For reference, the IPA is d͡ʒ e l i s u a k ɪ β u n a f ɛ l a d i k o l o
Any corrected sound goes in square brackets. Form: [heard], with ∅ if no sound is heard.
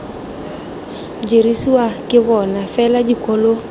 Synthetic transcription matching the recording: d͡ʒ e [ɾ] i s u a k ɪ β [ɔ] n a f ɛ l a [d͡ʒ] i k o l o